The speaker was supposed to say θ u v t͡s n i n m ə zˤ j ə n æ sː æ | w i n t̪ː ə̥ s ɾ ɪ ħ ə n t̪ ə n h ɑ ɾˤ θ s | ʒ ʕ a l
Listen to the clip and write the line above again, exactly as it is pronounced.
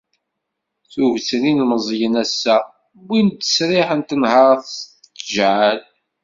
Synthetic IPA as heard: θ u v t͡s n i n m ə zˤ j ə n æ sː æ | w i n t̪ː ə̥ s ɾ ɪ ħ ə n t̪ ə n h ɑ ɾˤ θ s | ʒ ʕ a l